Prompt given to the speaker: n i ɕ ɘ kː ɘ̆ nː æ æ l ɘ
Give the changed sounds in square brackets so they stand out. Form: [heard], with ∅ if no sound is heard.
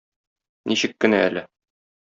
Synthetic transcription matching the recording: n i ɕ ɘ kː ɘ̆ [n] æ æ l ɘ